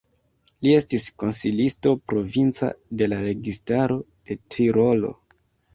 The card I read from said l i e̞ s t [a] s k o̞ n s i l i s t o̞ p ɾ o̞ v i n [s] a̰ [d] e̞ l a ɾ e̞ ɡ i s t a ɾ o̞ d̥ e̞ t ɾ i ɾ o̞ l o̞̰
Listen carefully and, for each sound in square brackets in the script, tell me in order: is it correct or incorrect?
incorrect: i, incorrect: t͡s, correct

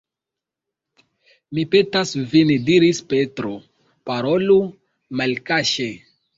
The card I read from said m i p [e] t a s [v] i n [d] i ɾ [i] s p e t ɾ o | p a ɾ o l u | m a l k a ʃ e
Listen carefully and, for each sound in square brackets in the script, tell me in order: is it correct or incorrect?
correct, correct, correct, correct

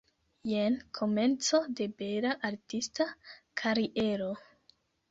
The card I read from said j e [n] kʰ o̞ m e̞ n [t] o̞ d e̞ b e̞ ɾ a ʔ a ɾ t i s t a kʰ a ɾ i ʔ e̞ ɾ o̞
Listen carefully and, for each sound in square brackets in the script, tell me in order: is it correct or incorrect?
correct, incorrect: t͡s

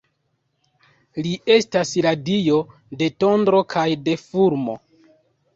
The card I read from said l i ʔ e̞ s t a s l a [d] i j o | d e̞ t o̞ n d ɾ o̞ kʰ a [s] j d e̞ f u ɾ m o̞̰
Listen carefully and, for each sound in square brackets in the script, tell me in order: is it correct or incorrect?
correct, incorrect: none

